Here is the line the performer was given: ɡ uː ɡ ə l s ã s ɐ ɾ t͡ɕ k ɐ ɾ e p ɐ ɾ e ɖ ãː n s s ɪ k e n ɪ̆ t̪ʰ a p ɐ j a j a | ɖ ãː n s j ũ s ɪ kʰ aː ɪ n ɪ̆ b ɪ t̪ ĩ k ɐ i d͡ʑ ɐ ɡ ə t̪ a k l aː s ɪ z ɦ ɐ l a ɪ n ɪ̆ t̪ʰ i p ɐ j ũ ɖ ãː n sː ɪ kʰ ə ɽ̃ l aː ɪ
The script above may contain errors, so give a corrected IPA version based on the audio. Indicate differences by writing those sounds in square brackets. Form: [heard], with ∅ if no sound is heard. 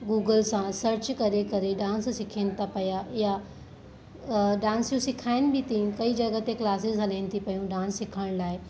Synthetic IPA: ɡ uː ɡ ə l s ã s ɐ ɾ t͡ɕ k ɐ ɾ e [k] ɐ ɾ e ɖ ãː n s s ɪ [kʰ] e n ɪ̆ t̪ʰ a p ɐ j a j a | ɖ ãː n s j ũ s ɪ kʰ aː ɪ n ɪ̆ b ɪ t̪ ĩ k ɐ i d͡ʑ ɐ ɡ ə t̪ [e] k l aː s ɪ z ɦ ɐ l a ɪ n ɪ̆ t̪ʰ i p ɐ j ũ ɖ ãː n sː ɪ kʰ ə ɽ̃ l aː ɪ